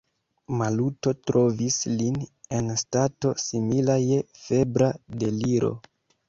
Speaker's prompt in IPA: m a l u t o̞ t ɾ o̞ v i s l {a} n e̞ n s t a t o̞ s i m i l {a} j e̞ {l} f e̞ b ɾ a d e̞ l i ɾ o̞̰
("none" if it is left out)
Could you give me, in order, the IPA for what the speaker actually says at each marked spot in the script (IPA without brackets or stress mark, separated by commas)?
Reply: i, a, none